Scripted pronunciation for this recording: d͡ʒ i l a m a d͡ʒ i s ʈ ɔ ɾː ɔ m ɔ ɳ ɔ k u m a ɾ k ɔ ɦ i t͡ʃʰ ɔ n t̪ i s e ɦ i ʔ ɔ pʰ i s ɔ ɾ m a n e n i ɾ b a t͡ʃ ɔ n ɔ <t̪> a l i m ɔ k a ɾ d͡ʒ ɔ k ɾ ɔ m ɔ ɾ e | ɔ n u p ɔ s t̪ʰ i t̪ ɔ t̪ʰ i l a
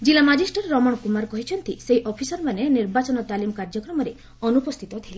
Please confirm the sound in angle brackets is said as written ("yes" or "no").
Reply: yes